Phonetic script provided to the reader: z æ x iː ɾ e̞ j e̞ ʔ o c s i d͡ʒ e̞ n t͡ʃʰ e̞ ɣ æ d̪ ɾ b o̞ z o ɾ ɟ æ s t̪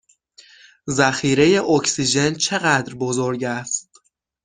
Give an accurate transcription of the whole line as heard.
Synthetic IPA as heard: z æ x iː ɾ e̞ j e̞ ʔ o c s i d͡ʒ e̞ n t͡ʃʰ e̞ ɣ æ d̪ ɾ b o̞ z o ɾ ɟ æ s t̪